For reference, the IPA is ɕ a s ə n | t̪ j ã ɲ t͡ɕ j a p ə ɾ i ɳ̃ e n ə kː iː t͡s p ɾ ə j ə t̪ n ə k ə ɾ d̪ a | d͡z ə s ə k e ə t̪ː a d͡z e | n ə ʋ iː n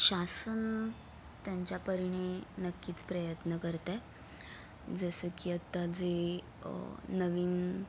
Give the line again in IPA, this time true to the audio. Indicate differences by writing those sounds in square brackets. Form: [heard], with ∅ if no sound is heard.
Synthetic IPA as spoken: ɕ a s ə n | t̪ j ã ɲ t͡ɕ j a p ə ɾ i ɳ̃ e n ə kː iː t͡s p ɾ ə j ə t̪ n ə k ə ɾ [t̪] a | d͡z ə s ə k [i] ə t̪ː a d͡z e | n ə ʋ iː n